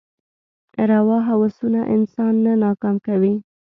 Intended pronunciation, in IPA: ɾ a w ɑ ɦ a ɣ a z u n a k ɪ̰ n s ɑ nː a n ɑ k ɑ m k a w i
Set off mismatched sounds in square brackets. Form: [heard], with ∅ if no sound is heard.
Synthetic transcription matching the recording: ɾ a w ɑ ɦ a [w] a [s] u n a [ʔ] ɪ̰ n s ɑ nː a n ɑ k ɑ m k a w i